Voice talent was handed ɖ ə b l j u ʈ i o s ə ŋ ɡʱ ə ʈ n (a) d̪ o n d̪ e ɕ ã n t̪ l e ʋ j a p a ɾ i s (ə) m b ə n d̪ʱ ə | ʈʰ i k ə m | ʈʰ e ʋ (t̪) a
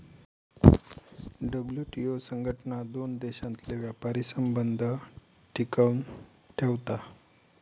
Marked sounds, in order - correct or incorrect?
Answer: correct, correct, correct

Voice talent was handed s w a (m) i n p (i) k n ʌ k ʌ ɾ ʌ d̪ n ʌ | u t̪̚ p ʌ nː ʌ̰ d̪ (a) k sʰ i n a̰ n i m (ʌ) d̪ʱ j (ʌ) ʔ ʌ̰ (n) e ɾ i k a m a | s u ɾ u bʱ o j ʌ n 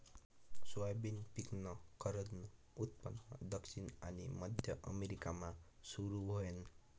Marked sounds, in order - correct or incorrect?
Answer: incorrect, correct, incorrect, correct, correct, incorrect

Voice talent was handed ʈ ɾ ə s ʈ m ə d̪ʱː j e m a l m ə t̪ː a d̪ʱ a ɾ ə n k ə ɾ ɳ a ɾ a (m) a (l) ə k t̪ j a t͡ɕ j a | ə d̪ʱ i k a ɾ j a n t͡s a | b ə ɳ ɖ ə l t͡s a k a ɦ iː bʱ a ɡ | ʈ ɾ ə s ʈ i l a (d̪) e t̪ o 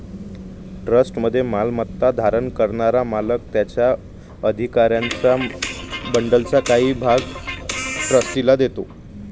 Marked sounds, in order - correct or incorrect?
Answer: correct, correct, correct

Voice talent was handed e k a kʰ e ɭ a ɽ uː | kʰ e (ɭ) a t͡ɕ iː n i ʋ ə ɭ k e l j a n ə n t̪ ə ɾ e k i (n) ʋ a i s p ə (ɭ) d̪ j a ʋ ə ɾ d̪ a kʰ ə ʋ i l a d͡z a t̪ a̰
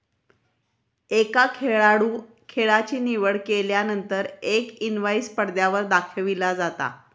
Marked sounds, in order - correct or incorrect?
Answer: correct, correct, incorrect

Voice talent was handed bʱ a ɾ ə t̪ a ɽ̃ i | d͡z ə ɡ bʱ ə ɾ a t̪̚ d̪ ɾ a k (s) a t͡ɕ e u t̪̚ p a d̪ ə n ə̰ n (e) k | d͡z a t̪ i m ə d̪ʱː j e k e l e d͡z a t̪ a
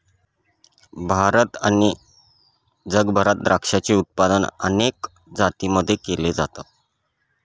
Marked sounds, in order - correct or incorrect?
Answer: incorrect, correct

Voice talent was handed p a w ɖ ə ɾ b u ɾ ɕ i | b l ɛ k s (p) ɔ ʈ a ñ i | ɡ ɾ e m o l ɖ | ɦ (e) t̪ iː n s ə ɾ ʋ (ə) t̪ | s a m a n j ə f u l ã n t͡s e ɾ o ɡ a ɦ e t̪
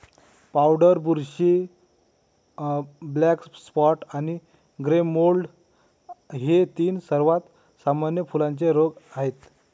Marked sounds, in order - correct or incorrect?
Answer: correct, correct, incorrect

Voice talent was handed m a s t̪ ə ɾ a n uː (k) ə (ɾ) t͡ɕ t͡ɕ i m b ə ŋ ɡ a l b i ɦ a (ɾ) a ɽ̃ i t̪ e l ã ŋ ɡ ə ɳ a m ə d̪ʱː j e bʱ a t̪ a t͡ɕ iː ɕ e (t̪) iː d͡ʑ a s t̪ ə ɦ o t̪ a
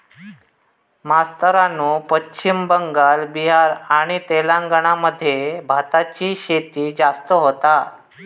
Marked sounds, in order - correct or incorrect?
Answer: incorrect, incorrect, correct, correct

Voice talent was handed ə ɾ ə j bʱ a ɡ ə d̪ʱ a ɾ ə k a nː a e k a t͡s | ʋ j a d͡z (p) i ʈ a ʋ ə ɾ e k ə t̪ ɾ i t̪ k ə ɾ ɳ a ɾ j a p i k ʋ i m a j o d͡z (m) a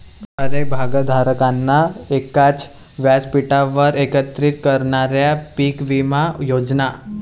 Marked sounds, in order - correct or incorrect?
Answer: correct, incorrect

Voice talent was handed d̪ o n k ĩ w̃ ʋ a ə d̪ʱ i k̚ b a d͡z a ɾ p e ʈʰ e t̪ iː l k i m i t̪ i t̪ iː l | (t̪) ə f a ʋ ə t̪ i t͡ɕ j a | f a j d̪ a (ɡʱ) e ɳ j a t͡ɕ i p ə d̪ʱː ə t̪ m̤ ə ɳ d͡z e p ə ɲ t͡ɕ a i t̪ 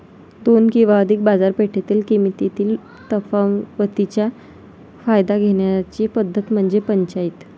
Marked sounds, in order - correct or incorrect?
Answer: correct, correct

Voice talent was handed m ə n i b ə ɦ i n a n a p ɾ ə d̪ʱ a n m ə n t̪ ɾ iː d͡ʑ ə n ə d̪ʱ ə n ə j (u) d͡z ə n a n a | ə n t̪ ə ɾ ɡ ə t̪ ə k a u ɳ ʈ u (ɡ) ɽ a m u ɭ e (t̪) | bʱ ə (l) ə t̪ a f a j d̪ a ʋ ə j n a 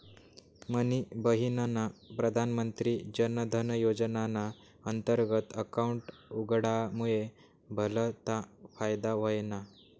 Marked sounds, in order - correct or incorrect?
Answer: incorrect, correct, incorrect, correct

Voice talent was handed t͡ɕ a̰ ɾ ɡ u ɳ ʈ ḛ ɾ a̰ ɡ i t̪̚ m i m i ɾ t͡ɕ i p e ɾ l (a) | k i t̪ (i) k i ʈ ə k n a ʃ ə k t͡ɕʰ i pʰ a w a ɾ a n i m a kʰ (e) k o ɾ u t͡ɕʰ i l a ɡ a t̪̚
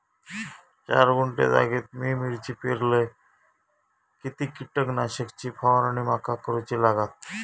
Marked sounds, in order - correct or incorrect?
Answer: incorrect, correct, incorrect

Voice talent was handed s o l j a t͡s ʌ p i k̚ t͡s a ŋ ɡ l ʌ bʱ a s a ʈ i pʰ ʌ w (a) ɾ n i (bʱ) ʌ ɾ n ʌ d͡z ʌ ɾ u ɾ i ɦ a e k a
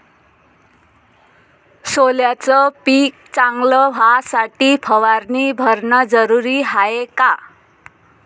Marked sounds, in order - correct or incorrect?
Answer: correct, correct

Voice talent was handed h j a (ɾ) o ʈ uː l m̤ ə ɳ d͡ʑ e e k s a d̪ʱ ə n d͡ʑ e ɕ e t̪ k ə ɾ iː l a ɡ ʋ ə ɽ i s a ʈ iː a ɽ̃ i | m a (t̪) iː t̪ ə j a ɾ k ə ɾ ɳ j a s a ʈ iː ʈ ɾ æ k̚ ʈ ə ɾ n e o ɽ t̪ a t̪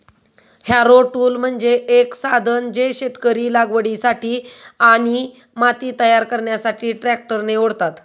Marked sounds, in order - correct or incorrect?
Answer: correct, correct

